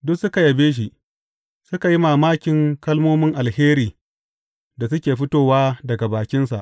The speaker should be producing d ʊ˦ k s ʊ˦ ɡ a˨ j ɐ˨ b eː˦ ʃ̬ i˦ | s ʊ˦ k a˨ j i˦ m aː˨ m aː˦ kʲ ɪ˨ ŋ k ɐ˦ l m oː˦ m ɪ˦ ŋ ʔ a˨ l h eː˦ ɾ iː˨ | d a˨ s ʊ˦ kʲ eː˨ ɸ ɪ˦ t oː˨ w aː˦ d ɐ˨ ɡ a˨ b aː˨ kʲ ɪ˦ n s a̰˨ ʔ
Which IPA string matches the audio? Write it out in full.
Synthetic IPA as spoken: d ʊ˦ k s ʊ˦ k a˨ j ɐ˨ b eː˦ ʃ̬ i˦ | s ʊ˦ k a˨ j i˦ m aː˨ m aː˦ kʲ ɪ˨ ŋ k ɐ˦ l m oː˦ m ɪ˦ ŋ ʔ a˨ l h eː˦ ɾ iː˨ | d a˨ s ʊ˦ kʲ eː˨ ɸ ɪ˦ t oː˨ w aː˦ d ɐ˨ ɡ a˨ b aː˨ kʲ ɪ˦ n s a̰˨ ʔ